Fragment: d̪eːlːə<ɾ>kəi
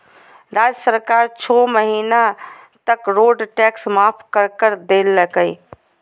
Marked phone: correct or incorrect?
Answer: incorrect